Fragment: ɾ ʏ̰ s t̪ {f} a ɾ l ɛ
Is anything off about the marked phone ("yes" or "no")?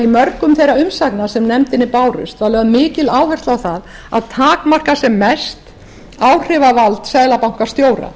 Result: yes